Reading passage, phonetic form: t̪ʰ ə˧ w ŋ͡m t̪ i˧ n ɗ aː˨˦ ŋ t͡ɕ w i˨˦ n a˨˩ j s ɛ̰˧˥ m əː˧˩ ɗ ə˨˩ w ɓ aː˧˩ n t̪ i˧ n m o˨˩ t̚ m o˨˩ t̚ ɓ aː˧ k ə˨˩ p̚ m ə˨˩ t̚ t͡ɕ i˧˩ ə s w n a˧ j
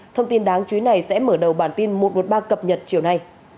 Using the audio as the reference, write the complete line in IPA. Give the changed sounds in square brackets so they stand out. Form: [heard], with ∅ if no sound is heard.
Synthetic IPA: t̪ʰ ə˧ w ŋ͡m t̪ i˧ n ɗ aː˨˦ ŋ t͡ɕ w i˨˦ n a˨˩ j s ɛ̰˧˥ m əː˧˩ ɗ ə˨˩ w ɓ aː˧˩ n t̪ i˧ n m o˨˩ t̚ m o˨˩ t̚ ɓ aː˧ k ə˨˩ p̚ [ɲ] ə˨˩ t̚ t͡ɕ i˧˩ ə [∅] w n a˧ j